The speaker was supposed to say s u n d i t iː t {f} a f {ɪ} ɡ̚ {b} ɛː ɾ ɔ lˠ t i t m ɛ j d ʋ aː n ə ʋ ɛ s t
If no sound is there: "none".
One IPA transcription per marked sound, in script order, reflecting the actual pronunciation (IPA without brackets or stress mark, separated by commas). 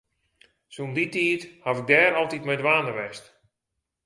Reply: h, ɪ, d